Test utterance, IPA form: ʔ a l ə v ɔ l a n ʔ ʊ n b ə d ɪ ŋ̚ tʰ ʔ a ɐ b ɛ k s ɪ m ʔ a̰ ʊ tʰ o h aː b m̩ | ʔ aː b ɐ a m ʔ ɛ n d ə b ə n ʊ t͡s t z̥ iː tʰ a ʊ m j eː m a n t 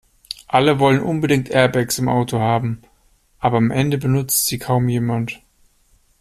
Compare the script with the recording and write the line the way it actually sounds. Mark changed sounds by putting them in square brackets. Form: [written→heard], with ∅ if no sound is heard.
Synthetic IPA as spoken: ʔ a l ə v ɔ l [a→ə] n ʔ ʊ n b ə d ɪ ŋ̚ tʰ ʔ [a→ɛ] ɐ b ɛ k s ɪ m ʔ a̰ ʊ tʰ o h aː b m̩ | ʔ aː b ɐ a m ʔ ɛ n d ə b ə n ʊ t͡s t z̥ iː [tʰ→kʰ] a ʊ m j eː m a n t